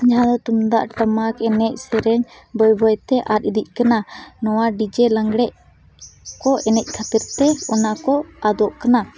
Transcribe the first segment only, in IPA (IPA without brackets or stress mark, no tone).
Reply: d͡ʒ